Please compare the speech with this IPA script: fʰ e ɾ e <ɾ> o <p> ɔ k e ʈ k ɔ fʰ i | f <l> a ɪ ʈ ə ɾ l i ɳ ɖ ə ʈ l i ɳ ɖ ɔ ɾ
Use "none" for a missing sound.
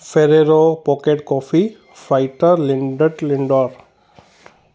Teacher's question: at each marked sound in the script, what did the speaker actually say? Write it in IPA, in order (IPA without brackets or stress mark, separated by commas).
ɾ, p, ɾ